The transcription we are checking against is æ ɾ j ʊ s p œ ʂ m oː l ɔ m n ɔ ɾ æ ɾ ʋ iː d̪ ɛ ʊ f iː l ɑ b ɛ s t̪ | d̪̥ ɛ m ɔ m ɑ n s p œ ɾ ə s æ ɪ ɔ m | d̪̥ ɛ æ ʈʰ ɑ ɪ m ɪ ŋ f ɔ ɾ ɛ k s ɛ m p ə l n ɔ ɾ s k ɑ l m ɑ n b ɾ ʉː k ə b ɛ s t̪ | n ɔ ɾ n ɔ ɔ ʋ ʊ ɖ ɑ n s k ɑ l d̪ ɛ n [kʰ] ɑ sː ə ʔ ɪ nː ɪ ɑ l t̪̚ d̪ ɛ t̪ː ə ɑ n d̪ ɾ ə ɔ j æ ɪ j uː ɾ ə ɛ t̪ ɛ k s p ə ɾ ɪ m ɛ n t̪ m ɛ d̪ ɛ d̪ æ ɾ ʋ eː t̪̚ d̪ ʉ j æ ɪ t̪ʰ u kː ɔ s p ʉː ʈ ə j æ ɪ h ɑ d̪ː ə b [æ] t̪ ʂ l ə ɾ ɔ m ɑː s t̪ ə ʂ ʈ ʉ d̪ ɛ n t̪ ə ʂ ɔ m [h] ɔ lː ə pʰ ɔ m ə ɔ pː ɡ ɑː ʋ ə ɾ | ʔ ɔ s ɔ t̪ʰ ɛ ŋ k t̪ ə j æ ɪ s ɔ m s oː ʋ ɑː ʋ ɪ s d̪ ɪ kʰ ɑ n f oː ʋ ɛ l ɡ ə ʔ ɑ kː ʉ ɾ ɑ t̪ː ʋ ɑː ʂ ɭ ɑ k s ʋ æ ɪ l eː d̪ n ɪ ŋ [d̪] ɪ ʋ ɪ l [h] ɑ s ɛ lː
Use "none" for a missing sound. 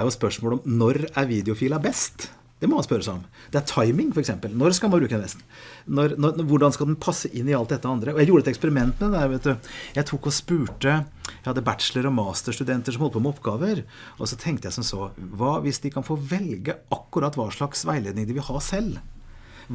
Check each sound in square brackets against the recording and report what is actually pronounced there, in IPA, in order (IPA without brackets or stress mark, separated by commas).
pʰ, æ, h, d̪, h